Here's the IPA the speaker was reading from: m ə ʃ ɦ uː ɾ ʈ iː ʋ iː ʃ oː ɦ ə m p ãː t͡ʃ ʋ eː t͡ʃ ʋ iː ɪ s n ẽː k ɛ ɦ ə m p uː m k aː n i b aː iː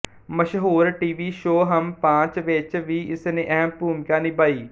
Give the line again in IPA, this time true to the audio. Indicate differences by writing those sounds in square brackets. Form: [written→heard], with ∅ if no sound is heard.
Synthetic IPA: m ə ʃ ɦ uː ɾ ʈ iː ʋ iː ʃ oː ɦ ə m p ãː t͡ʃ ʋ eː t͡ʃ ʋ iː ɪ s n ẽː [k→ʔ] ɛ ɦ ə m p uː m k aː n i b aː iː